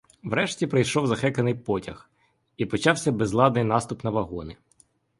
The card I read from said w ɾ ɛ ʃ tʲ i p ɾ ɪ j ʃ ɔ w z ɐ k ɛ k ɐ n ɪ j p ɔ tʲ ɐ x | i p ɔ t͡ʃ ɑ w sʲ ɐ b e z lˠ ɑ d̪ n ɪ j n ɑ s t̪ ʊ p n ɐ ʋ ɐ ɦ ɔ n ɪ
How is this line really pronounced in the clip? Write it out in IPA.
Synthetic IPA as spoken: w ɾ ɛ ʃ tʲ i p ɾ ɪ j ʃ ɔ w z ɐ x ɛ k ɐ n ɪ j p ɔ tʲ ɐ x | i p ɔ t͡ʃ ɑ w sʲ ɐ b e z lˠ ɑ d̪ n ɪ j n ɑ s t̪ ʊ p n ɐ ʋ ɐ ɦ ɔ n ɪ